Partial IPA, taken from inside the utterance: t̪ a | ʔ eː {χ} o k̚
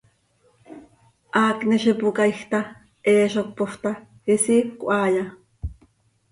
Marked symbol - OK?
no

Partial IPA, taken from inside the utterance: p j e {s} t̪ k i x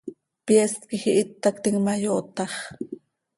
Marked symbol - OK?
yes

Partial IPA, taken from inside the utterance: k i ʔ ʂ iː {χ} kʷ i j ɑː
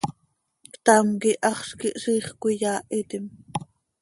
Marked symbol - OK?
yes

